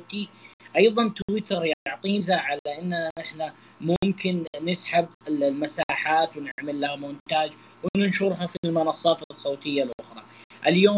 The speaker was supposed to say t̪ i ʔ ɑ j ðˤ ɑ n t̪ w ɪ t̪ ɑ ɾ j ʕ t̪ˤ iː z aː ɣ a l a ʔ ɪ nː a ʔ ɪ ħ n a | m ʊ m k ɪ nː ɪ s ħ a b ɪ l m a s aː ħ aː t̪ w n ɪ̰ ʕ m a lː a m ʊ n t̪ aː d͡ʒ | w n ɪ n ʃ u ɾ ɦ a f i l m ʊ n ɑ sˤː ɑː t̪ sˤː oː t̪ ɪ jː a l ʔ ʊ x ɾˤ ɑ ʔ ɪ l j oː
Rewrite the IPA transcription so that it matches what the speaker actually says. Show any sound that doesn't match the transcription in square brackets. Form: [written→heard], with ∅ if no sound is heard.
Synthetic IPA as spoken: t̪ i ʔ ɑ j ðˤ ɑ n t̪ w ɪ t̪ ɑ ɾ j ʕ t̪ˤ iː z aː [ɣ→ʕ] a l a ʔ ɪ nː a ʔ ɪ ħ n a | m ʊ m k ɪ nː ɪ s ħ a b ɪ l m a s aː ħ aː t̪ w n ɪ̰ ʕ m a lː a m ʊ n t̪ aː d͡ʒ | w n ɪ n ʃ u ɾ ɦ a f i l m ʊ n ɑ sˤː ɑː t̪ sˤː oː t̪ ɪ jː a l ʔ ʊ x ɾˤ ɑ ʔ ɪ l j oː